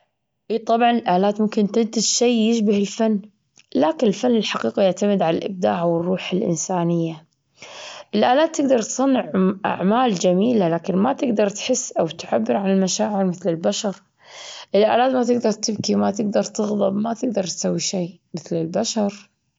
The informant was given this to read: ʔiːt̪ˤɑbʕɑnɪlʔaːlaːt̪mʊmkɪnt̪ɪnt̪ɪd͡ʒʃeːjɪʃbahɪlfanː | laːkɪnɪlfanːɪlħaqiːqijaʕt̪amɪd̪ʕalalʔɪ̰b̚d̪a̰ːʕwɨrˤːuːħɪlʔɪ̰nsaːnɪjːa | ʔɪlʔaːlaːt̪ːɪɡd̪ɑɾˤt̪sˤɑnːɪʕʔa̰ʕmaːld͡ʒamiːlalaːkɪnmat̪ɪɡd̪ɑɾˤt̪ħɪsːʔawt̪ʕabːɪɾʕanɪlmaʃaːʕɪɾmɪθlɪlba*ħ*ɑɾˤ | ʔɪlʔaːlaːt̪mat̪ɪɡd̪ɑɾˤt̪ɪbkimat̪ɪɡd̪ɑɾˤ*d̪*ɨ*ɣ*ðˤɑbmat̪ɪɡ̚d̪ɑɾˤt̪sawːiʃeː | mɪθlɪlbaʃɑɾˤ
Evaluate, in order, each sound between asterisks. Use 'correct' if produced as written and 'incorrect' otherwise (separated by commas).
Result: incorrect, incorrect, correct